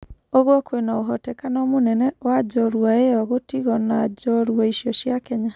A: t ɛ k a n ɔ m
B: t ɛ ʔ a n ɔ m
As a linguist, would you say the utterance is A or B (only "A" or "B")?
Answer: A